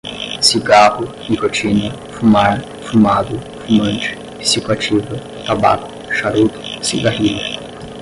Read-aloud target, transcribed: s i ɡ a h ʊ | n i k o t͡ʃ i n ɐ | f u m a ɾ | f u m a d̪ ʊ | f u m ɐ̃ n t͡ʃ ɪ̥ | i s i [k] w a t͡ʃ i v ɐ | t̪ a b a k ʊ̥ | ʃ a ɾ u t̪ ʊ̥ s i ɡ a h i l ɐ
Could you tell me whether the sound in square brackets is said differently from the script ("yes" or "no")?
no